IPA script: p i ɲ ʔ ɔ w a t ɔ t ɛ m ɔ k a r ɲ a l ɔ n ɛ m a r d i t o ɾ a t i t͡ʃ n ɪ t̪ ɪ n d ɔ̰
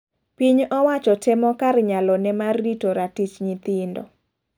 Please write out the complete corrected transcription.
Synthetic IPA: p i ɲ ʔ ɔ w a t͡ʃ ɔ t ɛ m ɔ k a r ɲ a l ɔ n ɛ m a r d i t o ɾ a t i t͡ʃ ɲ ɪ t̪ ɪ n d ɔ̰